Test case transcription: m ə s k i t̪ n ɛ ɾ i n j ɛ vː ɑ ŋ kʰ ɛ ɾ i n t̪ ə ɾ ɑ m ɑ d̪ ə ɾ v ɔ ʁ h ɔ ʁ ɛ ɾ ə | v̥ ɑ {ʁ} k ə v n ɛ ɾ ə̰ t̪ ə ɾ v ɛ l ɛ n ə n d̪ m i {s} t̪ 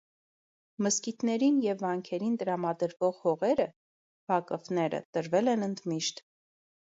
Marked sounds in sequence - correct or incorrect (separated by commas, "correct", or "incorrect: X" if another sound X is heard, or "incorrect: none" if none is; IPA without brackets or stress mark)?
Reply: incorrect: none, incorrect: ʃ